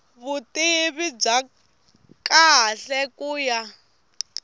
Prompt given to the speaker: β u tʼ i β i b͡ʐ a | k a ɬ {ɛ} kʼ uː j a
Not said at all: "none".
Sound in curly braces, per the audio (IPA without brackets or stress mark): ɛ